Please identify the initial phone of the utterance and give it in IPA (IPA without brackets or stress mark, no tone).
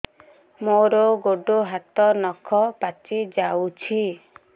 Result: m